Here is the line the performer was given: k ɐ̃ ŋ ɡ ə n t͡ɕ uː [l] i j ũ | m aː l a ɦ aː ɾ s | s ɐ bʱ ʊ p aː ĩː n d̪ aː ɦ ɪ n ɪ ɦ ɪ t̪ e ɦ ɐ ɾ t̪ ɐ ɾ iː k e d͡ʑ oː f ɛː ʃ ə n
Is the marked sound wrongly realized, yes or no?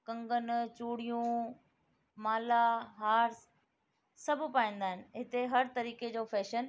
yes